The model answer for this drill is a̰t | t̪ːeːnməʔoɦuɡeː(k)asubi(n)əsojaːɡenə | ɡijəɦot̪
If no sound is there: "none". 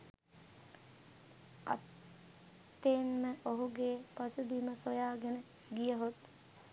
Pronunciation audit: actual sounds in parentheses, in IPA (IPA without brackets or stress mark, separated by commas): p, m